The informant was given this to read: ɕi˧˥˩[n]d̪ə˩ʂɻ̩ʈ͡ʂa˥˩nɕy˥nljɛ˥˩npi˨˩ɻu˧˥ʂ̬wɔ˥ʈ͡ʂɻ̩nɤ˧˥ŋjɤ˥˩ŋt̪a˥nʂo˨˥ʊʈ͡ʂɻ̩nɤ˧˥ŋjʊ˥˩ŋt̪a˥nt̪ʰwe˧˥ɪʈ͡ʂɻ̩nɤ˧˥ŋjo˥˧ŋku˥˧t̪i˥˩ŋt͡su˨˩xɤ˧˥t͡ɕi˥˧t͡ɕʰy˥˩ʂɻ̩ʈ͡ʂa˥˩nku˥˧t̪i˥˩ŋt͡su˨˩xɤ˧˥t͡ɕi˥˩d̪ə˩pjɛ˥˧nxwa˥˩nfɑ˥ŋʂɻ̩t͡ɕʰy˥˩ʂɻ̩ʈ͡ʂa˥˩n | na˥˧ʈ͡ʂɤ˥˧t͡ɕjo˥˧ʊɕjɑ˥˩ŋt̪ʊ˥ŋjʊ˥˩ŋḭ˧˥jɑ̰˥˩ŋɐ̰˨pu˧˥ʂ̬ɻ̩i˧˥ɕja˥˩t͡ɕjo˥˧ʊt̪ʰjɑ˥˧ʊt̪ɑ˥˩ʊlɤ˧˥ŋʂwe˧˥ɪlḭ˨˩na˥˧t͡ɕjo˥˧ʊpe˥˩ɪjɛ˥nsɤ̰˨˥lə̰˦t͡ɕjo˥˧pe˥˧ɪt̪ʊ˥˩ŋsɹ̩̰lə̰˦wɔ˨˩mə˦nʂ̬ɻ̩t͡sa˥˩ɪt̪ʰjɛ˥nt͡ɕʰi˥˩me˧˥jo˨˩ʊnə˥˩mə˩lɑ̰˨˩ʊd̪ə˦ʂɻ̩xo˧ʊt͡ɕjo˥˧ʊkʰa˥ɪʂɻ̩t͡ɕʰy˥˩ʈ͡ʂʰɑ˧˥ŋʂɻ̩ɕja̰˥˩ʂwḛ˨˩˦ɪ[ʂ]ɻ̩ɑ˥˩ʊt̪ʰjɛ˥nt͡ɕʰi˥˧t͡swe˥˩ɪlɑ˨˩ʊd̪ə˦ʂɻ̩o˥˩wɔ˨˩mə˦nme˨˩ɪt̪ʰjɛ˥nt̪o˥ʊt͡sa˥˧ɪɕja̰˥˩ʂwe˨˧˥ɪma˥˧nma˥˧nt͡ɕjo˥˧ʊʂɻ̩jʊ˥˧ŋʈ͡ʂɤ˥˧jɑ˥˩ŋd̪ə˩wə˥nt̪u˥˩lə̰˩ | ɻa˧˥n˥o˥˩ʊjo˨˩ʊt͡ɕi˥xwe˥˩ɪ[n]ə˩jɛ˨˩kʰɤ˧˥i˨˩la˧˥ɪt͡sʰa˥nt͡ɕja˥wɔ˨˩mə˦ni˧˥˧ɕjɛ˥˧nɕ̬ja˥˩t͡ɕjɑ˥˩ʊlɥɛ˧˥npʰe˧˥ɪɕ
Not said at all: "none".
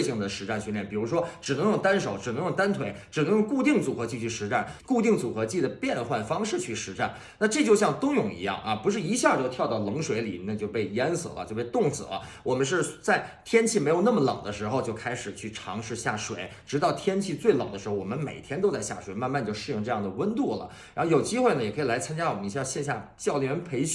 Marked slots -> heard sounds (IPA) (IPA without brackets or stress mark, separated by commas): ŋ, ʈ͡ʂ, n